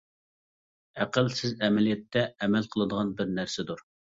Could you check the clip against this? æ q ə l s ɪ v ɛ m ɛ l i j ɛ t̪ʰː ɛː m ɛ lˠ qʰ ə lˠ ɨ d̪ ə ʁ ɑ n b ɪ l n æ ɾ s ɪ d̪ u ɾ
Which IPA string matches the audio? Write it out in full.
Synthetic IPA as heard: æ q ə l s ɪ z ɛ m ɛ l i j ɛ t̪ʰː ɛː m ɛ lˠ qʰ ə lˠ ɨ d̪ ə ʁ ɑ n b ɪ ɾ n æ ɾ s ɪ d̪ u ɾ

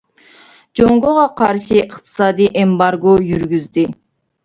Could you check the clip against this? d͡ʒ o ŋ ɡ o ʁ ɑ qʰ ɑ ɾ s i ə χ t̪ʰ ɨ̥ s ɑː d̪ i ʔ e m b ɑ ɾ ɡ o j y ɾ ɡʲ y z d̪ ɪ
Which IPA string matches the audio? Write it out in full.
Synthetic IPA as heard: d͡ʒ o ŋ ɡ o ʁ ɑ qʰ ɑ ɾ ʃ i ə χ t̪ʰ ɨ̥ s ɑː d̪ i ʔ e m b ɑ ɾ ɡ o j y ɾ ɡʲ y z d̪ ɪ

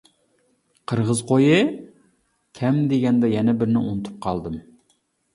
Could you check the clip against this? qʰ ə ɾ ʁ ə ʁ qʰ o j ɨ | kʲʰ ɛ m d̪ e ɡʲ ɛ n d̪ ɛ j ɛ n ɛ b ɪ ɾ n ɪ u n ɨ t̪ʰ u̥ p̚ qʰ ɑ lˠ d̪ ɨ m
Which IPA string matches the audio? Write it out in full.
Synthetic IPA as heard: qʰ ə ɾ ʁ ə z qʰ o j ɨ | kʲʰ ɛ m d̪ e ɡʲ ɛ n d̪ ɛ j ɛ n ɛ b ɪ ɾ n ɪ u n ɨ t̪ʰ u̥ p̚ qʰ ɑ lˠ d̪ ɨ m

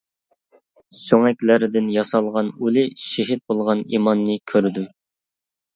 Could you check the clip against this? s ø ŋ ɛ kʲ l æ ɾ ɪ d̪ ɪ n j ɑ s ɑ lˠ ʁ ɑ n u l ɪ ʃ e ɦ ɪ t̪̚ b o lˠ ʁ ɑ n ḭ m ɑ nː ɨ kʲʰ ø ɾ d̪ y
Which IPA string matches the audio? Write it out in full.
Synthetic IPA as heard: s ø ŋ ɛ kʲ l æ ɾ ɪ d̪ ɪ n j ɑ s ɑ lˠ ʁ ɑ n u l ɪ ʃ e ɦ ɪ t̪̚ b o lˠ ʁ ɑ n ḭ m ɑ nː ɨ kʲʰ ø ɾ d̪ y

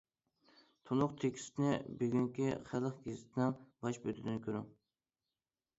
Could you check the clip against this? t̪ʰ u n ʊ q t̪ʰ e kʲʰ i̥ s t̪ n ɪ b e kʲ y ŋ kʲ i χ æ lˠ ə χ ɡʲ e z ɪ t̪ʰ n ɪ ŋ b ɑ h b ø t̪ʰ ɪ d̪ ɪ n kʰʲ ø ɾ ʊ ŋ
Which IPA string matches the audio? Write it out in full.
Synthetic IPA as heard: t̪ʰ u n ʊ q t̪ʰ e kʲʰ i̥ s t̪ n ɪ b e ɡʲ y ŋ kʲ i χ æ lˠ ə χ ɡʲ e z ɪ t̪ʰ n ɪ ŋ b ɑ ʃ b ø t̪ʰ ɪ d̪ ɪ n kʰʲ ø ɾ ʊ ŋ

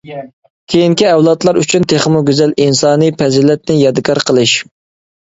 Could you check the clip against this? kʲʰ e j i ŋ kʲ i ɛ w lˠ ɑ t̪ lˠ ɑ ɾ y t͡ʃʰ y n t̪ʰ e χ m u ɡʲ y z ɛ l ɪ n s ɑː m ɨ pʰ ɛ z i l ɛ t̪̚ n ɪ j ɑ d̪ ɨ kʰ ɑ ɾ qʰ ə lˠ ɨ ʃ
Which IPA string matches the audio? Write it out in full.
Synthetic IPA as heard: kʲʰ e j i ŋ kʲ i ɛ w lˠ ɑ t̪ lˠ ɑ ɾ y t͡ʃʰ y n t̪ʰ e χ m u ɡʲ y z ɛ l i n s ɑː n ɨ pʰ ɛ z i l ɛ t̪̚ n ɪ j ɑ d̪ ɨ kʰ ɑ ɾ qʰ ə lˠ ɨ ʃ

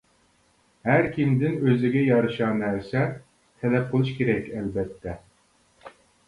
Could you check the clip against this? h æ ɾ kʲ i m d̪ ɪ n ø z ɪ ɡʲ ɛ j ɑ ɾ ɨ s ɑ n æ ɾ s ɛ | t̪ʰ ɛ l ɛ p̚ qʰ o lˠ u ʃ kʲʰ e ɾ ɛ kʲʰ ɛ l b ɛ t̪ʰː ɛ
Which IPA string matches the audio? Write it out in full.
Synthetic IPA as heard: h æ ɾ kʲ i m d̪ ɪ n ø z ɪ ɡʲ ɛ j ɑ ɾ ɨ ʃ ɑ n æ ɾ s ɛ | t̪ʰ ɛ l ɛ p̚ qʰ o lˠ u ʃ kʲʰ e ɾ ɛ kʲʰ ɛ l b ɛ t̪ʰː ɛ

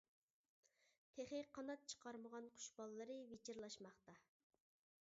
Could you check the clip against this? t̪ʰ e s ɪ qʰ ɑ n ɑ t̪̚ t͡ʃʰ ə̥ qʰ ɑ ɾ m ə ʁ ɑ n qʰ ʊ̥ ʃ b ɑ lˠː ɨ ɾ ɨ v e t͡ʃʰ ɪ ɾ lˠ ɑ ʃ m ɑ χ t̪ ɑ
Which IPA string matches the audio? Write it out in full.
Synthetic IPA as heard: t̪ʰ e χ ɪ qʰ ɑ n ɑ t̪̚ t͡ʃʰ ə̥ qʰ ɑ ɾ m ə ʁ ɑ n qʰ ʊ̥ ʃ b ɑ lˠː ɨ ɾ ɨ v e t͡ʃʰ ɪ ɾ lˠ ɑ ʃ m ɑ χ t̪ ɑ

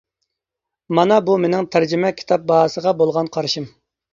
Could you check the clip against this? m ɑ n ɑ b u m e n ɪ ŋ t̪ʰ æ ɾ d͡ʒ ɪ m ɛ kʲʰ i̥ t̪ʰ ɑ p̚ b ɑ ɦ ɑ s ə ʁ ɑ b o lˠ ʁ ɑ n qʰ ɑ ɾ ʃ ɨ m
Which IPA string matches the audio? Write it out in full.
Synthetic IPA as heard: m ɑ n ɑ b u m e n ɪ ŋ t̪ʰ æ ɾ d͡ʒ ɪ m ɛ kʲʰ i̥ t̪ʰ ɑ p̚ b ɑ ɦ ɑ s ə ʁ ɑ b o lˠ ʁ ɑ n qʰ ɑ ɾ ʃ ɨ m

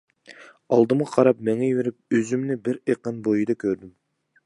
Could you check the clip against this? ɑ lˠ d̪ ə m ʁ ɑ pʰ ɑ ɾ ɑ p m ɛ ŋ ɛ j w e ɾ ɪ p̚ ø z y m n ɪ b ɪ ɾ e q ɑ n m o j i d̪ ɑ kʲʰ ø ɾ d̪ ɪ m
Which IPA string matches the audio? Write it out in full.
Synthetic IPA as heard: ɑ lˠ d̪ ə m ʁ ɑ qʰ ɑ ɾ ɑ p m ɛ ŋ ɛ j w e ɾ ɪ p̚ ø z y m n ɪ b ɪ ɾ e q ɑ n b o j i d̪ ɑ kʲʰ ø ɾ d̪ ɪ m

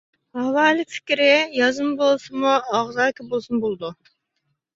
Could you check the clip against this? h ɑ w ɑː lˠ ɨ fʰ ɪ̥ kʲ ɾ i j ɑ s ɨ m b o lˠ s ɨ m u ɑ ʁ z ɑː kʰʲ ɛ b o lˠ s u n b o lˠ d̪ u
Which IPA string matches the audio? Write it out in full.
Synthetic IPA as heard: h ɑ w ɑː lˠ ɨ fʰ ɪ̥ kʲ ɾ ɪ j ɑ z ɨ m b o lˠ s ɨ m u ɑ ʁ z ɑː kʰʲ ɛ b o lˠ s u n b o lˠ d̪ u

